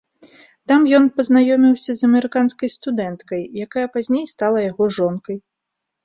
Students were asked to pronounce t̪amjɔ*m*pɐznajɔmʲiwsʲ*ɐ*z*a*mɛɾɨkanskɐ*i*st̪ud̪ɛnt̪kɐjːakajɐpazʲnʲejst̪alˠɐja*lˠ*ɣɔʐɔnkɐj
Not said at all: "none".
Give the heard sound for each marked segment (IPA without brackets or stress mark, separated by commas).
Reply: n, ɐ, ɐ, j, none